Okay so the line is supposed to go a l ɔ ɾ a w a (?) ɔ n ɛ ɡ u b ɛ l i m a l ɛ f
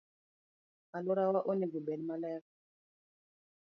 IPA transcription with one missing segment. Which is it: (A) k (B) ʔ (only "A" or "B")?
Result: B